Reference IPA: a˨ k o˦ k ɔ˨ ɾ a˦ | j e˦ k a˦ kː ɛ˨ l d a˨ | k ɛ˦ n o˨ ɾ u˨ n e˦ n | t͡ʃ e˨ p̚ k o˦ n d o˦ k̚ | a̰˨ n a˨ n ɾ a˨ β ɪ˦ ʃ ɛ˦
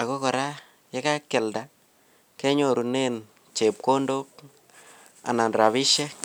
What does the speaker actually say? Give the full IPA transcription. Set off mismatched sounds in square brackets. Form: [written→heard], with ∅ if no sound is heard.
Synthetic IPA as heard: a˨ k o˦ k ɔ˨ ɾ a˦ | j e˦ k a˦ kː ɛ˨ l d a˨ | k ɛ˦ [n→ɲ] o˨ ɾ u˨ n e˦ n | t͡ʃ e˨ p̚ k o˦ n d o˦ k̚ | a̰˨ n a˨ n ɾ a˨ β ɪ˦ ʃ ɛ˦

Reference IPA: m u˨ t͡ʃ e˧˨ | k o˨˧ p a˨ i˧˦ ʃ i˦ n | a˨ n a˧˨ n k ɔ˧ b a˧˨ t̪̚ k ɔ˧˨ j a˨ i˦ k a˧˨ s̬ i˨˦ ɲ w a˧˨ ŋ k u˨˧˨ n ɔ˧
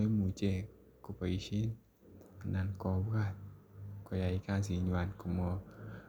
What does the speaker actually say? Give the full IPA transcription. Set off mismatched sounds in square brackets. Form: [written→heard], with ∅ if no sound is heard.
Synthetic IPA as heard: m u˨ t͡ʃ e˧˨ | k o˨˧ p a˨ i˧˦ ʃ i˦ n | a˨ n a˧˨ n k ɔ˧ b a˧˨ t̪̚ k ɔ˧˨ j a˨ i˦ k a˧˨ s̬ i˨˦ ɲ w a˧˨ [ŋ→n] k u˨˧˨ [n→m] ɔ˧

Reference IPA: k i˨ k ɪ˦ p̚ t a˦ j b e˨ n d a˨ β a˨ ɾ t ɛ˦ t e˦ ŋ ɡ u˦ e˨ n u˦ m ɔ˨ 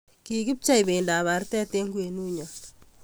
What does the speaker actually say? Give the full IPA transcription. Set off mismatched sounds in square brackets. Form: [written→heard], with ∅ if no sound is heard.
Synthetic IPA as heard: k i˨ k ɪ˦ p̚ [t→t͡ʃ] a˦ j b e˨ n d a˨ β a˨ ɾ t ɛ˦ t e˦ ŋ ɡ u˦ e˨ n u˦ [m→ɲ] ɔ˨

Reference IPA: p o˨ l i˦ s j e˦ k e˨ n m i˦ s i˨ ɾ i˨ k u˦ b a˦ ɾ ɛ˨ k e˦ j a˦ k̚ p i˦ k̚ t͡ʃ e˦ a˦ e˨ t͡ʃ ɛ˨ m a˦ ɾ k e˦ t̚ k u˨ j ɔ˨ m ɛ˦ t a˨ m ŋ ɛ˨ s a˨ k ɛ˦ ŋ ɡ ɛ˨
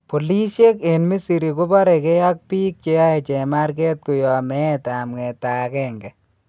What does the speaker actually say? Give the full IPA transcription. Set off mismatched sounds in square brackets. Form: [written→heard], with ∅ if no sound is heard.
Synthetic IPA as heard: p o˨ l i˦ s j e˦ k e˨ n m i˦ s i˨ ɾ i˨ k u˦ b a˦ ɾ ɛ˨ k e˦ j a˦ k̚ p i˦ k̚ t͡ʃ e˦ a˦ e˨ t͡ʃ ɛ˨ m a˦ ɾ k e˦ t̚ k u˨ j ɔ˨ m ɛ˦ t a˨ m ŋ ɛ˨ [s→t] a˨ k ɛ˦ ŋ ɡ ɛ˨

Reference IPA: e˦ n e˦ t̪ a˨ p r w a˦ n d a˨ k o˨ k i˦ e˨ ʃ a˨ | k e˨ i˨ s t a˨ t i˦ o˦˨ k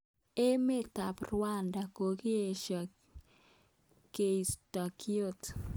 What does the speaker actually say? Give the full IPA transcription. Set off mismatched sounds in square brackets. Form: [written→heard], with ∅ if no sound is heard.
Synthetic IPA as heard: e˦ [n→m] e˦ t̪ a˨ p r w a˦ n d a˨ k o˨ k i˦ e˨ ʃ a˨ | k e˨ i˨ s t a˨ [t→k] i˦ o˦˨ [k→t]

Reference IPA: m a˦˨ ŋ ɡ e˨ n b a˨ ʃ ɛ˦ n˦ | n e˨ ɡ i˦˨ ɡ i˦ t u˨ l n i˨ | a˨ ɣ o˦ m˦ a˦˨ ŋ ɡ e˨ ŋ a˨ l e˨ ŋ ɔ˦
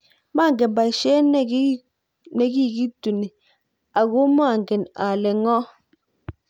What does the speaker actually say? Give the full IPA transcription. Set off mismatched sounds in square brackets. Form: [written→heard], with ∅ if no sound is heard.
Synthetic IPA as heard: m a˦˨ ŋ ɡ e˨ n b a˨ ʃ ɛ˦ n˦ | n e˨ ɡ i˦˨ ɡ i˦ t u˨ [l→∅] n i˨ | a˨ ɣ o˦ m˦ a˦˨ ŋ ɡ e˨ [ŋ→n] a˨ l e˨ ŋ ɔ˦

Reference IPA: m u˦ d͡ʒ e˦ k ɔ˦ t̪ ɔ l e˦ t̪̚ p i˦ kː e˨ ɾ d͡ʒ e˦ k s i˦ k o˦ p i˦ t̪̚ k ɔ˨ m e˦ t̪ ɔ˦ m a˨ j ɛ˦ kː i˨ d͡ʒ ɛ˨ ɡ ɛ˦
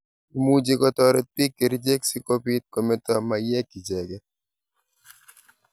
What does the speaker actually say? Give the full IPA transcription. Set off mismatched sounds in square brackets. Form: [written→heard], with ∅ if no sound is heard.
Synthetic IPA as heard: m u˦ d͡ʒ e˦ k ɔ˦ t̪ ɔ [l→ɾ] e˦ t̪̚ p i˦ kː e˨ ɾ d͡ʒ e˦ k s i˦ k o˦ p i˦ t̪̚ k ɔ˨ m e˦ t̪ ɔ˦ m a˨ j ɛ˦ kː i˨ d͡ʒ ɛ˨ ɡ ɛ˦

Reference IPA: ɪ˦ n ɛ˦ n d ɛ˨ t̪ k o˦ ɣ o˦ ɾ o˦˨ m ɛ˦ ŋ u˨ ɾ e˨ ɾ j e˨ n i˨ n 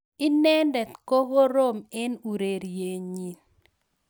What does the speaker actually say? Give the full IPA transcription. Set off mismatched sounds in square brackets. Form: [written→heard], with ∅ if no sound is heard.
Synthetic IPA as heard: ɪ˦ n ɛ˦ n d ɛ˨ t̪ k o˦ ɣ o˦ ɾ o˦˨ m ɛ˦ [ŋ→n] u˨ ɾ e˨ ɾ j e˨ [n→ɲ] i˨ n

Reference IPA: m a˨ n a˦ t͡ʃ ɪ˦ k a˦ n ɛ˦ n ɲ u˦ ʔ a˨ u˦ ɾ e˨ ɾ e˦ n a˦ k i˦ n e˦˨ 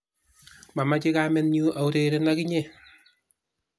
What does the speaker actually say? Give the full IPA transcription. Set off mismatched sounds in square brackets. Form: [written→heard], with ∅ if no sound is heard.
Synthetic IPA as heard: m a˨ [n→m] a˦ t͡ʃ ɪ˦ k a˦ [n→m] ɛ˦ n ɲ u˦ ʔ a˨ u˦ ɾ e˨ ɾ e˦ n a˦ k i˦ [n→ɲ] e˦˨

